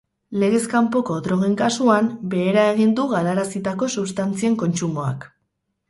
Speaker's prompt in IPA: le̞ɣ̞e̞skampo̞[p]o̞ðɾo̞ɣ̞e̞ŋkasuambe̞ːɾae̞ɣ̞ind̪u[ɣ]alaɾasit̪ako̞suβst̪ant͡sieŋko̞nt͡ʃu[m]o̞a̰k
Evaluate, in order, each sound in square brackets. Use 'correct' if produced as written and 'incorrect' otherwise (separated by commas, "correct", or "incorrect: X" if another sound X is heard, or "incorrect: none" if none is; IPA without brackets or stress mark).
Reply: incorrect: k, correct, correct